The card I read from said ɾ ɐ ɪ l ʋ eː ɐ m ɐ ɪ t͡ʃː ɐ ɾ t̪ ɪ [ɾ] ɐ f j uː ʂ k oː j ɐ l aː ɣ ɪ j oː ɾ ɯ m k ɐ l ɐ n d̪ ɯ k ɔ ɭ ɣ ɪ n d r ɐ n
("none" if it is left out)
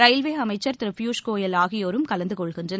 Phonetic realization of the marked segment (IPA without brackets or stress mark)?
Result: ɾ